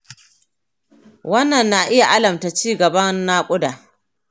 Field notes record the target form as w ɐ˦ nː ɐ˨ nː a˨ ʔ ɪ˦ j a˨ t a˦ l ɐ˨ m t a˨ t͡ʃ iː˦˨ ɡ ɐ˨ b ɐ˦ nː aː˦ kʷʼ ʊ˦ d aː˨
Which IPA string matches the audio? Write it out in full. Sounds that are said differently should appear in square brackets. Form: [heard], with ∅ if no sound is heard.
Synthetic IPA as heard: w ɐ˦ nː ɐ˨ nː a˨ ʔ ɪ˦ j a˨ [ʔ] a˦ l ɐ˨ m t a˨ t͡ʃ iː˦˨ ɡ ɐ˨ b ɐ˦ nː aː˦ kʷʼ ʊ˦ d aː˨